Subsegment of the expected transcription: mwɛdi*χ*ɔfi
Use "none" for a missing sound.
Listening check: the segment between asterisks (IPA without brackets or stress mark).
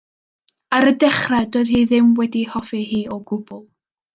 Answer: h